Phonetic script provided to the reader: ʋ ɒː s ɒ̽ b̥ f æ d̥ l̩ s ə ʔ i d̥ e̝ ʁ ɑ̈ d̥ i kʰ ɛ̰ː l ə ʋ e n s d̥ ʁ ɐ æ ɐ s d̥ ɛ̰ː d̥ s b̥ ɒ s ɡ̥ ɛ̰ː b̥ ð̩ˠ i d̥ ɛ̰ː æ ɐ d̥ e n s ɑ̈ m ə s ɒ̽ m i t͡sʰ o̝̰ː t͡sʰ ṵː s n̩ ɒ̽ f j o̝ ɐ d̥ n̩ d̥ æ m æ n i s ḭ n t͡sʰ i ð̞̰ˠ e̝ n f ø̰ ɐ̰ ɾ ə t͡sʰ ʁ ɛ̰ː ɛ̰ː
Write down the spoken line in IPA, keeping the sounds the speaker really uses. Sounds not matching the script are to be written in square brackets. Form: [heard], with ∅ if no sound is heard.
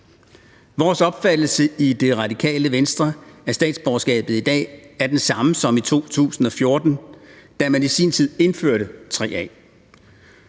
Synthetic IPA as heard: ʋ ɒː s ɒ̽ b̥ f æ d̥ l̩ s ə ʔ i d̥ e̝ ʁ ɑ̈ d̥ i kʰ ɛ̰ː l ə ʋ e n s d̥ ʁ ɐ æ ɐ s d̥ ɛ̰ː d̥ s b̥ ɒ s ɡ̥ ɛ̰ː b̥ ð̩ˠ i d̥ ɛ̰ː æ ɐ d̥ e n s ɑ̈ m ə s ɒ̽ m i t͡sʰ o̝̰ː t͡sʰ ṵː s n̩ ɒ̽ f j o̝ ɐ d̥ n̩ d̥ æ m æ n i s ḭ n t͡sʰ i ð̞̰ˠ e̝ n f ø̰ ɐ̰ ɾ ə t͡sʰ ʁ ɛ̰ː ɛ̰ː

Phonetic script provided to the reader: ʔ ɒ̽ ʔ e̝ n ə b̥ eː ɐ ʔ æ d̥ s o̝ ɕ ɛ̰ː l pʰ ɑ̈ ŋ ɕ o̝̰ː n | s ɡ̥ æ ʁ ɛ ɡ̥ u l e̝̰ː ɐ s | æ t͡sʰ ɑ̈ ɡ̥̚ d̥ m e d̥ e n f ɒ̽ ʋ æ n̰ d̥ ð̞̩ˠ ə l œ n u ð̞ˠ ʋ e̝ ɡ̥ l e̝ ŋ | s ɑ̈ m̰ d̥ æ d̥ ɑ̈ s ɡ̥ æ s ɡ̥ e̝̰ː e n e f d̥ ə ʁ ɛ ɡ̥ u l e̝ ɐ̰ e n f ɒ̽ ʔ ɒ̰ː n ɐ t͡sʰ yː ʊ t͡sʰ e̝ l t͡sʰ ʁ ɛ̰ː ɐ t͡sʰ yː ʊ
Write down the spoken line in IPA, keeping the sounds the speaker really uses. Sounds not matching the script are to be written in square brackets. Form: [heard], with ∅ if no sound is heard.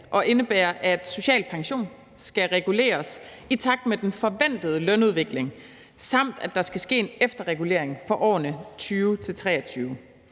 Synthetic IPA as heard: ʔ ɒ̽ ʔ e̝ n ə b̥ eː ɐ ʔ æ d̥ s o̝ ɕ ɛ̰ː l pʰ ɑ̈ ŋ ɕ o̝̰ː n | s ɡ̥ æ ʁ ɛ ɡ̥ u l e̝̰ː ɐ s | [i] t͡sʰ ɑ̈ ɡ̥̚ d̥ m e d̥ e n f ɒ̽ ʋ æ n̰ d̥ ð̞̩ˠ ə l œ n u ð̞ˠ ʋ e̝ ɡ̥ l e̝ ŋ | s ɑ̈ m̰ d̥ æ d̥ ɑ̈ s ɡ̥ æ s ɡ̥ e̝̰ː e n e f d̥ [ɐ] ʁ ɛ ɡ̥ u l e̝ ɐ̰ e [ŋ] f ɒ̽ ʔ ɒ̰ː n [ə] t͡sʰ yː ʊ t͡sʰ e̝ l t͡sʰ ʁ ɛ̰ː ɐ t͡sʰ yː ʊ

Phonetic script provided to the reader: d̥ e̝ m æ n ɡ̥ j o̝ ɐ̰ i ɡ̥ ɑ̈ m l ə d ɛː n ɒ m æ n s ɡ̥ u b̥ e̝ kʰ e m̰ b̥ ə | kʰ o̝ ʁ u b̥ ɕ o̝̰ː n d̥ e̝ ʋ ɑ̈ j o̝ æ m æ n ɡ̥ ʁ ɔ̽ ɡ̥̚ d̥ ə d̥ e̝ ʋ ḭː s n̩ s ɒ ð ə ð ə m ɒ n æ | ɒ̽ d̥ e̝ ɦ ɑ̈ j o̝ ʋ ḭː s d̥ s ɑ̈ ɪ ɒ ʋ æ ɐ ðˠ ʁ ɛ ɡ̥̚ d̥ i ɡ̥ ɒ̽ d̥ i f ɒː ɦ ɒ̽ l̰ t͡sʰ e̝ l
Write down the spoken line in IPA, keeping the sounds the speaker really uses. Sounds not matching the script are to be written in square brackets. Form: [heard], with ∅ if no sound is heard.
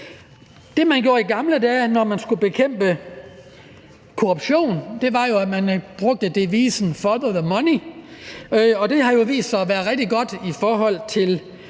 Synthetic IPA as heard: d̥ e̝ m æ n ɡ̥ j o̝ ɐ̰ i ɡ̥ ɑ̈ m l ə d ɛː n ɒ m æ n s ɡ̥ u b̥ e̝ kʰ e m̰ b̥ ə | kʰ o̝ ʁ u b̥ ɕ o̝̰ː n d̥ e̝ ʋ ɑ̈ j o̝ æ m æ n [b̥] ʁ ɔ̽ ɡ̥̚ d̥ ə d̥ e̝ ʋ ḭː s n̩ [f] ɒ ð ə ð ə m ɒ n [i] | ɒ̽ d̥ e̝ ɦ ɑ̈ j o̝ ʋ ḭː s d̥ s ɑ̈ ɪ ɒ ʋ æ ɐ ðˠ ʁ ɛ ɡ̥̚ d̥ i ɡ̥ ɒ̽ d̥ i f ɒː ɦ ɒ̽ l̰ t͡sʰ e̝ l

